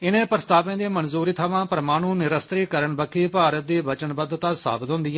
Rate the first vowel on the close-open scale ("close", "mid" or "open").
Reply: close